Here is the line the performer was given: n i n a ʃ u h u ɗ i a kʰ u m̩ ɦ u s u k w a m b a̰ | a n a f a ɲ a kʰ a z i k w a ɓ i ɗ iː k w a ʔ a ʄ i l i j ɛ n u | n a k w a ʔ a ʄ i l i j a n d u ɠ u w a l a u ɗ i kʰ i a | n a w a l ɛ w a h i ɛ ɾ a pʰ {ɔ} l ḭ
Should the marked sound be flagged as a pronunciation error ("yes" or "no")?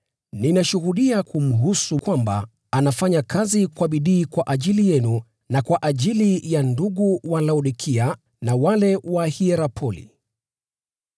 no